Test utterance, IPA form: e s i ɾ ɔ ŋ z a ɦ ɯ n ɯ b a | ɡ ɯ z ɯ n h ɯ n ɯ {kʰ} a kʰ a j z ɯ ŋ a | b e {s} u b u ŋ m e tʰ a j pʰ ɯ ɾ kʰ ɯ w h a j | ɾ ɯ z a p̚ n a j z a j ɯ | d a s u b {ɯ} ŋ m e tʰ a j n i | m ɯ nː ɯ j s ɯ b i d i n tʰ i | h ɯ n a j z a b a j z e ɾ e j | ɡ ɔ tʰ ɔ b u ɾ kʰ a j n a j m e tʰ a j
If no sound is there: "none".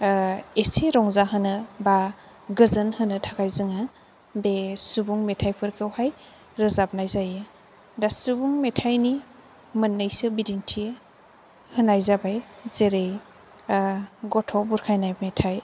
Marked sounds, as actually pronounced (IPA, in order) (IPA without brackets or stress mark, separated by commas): tʰ, s, u